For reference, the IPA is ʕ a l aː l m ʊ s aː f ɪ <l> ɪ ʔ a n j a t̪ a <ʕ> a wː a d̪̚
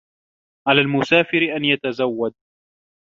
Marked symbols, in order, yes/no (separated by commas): no, no